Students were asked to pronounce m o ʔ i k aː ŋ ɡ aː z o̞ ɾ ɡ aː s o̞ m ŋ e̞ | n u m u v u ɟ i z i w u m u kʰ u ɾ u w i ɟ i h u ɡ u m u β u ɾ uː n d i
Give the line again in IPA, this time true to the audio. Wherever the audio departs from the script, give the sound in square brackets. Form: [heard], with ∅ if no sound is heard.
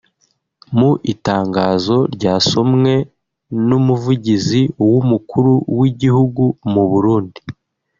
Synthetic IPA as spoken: m [u] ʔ i [t] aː ŋ ɡ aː z o̞ ɾ [ɟ] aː s o̞ m ŋ e̞ | n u m u v u ɟ i z i w u m u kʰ u ɾ u w i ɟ i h u ɡ u m u β u ɾ uː n d i